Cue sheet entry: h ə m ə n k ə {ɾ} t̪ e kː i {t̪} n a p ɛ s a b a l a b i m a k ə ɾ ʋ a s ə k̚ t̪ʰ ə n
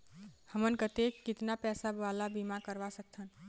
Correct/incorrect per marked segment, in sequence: incorrect: none, correct

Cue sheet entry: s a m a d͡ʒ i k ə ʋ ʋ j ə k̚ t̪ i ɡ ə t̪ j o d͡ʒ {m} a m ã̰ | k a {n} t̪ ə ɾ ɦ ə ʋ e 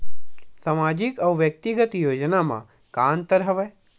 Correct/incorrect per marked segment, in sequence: incorrect: n, correct

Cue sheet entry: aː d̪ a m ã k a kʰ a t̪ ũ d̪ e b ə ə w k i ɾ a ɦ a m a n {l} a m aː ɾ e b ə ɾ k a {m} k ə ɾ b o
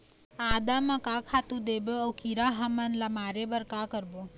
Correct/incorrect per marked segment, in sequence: correct, incorrect: none

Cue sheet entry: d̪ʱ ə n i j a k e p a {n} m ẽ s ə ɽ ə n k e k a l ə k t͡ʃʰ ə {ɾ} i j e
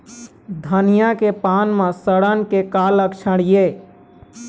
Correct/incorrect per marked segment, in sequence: correct, incorrect: ɽ

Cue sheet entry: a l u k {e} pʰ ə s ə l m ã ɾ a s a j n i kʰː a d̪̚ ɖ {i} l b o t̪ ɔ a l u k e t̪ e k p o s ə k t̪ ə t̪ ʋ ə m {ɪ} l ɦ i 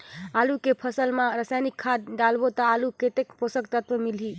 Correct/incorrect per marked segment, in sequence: correct, incorrect: a, incorrect: i

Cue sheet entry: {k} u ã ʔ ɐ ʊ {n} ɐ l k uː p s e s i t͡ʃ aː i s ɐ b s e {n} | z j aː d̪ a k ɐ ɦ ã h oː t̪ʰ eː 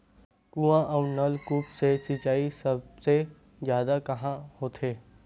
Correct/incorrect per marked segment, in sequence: correct, correct, incorrect: none

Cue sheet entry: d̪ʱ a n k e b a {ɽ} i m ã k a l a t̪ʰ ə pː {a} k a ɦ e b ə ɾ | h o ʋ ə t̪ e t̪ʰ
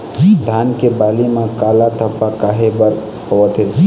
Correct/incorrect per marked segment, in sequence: incorrect: l, correct

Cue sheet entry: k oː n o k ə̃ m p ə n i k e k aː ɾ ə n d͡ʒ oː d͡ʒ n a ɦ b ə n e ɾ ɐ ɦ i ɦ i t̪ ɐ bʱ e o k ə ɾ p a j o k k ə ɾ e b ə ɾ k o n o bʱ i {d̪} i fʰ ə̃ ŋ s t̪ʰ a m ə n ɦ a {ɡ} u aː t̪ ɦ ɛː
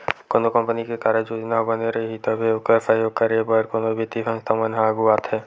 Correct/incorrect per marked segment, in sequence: incorrect: t̪, correct

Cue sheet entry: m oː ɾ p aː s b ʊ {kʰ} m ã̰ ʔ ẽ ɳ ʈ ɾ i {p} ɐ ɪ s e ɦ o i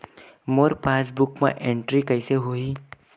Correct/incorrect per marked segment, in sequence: incorrect: k, incorrect: k

